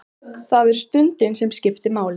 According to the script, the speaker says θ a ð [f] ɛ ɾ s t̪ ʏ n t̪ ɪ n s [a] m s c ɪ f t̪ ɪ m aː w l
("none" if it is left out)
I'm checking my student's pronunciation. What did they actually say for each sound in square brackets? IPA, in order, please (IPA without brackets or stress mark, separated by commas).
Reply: v, ɛ